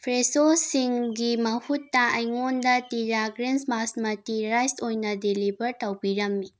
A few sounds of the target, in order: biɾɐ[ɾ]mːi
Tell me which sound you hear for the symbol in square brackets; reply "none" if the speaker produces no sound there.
none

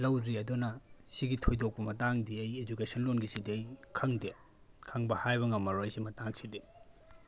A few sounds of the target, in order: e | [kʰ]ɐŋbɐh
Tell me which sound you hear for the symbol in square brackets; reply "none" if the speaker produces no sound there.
kʰ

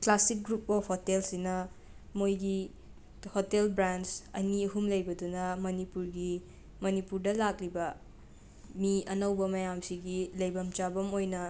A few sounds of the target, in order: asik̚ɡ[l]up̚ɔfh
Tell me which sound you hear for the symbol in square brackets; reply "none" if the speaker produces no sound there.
ɾ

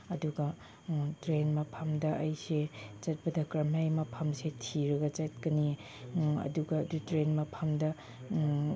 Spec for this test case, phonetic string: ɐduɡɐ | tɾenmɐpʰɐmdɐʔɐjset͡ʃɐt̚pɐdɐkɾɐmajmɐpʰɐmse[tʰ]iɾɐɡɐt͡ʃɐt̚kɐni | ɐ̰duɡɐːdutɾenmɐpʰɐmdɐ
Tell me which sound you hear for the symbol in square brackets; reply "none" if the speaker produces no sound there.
tʰ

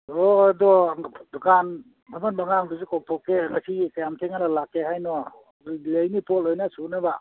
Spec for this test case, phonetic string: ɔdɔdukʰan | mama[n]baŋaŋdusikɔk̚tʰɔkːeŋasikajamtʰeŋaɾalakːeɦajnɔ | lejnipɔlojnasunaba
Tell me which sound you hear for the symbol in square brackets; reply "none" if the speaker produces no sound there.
n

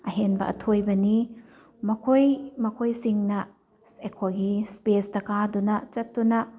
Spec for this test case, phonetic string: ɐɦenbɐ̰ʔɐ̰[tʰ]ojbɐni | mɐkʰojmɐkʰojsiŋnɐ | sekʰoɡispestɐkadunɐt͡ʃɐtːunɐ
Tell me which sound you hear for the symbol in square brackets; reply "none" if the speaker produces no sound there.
tʰ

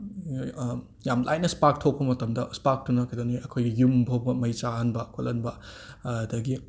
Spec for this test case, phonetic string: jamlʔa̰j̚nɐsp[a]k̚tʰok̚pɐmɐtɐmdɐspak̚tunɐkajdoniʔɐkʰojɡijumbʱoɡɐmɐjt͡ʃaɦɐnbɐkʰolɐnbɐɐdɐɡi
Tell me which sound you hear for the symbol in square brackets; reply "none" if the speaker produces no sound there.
a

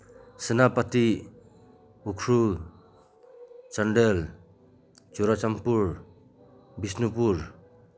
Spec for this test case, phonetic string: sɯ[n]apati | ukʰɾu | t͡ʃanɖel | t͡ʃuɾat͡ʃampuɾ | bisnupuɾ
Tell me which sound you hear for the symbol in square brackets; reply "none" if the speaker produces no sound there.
n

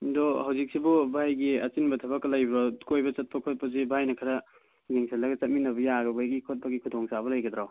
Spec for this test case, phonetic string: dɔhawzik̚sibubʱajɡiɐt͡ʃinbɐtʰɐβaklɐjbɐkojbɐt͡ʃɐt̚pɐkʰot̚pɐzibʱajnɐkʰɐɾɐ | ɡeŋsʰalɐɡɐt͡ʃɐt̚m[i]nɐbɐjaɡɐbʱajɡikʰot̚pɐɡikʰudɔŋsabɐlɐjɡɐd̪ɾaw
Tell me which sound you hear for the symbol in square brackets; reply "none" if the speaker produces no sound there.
i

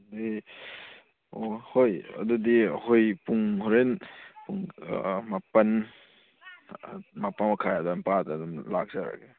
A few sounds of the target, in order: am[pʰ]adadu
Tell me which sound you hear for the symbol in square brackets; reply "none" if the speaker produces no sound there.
p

